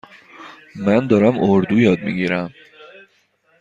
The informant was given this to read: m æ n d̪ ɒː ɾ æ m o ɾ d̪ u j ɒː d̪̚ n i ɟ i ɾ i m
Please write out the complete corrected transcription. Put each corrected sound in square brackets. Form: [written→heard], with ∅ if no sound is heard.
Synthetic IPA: m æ n d̪ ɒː ɾ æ m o ɾ d̪ u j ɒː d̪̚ [n→m] i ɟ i ɾ [i→æ] m

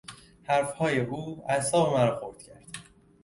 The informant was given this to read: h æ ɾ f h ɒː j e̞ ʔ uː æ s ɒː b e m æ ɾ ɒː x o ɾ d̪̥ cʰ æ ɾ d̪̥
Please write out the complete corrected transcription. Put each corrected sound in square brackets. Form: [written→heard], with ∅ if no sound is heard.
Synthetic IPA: h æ ɾ f h ɒː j e̞ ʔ uː æ s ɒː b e m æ ɾ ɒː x o ɾ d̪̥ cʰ æ ɾ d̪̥

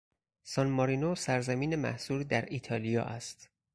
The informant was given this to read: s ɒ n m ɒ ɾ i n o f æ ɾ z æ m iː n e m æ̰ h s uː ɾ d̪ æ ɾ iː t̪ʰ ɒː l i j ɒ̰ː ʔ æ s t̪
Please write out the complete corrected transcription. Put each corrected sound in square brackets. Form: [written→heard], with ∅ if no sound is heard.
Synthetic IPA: s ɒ n m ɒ ɾ i n o [f→s] æ ɾ z æ m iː n e m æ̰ h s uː ɾ d̪ æ ɾ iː t̪ʰ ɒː l i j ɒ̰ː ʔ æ s t̪

